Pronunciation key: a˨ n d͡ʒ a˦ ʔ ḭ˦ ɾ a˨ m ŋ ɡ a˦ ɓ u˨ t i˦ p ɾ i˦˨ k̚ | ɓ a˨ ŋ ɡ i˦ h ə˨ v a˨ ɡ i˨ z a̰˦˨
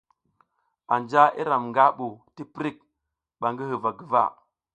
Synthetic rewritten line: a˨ n d͡ʒ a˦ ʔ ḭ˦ ɾ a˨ m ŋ ɡ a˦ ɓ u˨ t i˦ p ɾ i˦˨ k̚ | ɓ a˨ ŋ ɡ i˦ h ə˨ v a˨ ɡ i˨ v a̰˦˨